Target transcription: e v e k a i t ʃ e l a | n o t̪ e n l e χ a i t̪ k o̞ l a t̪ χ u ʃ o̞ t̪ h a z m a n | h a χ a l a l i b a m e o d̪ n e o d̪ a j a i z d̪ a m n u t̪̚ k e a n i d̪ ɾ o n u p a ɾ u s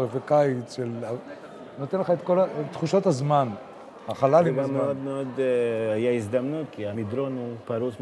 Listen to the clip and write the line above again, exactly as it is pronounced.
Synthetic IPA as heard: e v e k a i t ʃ e l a | n o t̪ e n l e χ a e t̪ k o̞ l a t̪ χ u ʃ o̞ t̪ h a z m a n | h a χ a l a l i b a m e o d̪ m e o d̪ a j a i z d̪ a m n u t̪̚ k i a m i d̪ ɾ o n u p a ɾ u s